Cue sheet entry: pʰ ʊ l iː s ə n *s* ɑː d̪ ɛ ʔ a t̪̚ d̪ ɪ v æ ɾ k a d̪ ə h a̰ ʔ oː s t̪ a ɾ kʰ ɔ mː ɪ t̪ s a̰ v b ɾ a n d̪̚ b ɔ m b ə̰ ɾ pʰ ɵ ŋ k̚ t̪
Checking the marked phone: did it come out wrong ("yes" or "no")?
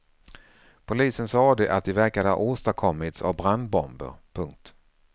no